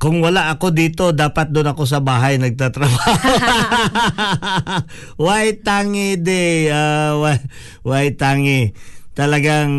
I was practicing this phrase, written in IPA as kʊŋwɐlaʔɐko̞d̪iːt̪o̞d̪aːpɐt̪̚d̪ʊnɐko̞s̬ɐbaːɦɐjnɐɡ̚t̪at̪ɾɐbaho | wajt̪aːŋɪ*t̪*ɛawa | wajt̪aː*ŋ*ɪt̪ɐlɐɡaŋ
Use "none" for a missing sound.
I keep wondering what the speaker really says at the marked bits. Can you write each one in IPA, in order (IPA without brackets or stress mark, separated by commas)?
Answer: d̪, ŋ